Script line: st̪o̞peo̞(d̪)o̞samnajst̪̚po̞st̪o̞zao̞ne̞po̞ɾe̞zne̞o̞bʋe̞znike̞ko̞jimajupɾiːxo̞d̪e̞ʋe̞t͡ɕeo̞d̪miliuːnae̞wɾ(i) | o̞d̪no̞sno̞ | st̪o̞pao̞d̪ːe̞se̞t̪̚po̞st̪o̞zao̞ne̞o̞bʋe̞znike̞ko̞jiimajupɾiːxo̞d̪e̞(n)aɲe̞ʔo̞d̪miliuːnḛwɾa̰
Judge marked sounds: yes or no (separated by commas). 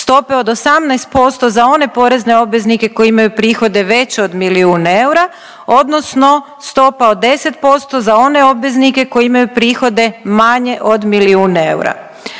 yes, no, no